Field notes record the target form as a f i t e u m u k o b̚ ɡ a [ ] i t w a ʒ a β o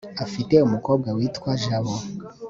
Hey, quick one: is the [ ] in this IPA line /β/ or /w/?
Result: w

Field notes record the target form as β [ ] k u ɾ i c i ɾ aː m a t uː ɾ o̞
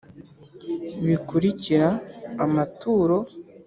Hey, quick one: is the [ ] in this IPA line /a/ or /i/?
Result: i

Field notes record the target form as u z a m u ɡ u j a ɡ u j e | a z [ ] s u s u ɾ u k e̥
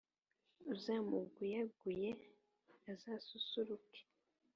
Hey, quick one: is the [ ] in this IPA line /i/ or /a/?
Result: a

